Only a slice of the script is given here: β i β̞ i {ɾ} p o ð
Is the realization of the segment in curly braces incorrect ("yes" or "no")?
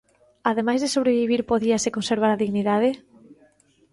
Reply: no